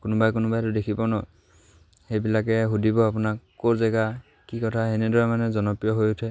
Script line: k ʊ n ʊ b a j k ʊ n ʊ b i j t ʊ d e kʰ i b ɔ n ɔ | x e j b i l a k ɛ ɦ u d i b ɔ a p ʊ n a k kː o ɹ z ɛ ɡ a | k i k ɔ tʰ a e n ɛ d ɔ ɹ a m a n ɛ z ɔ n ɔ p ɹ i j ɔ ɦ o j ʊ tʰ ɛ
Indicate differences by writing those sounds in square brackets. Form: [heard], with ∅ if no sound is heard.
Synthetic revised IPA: k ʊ n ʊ b a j k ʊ n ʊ b [a] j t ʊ d e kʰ i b ɔ n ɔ | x e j b i l a k ɛ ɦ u d i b ɔ a p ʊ n a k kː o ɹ z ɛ ɡ a | k i k ɔ tʰ a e n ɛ d ɔ ɹ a m a n ɛ z ɔ n ɔ p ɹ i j ɔ ɦ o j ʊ tʰ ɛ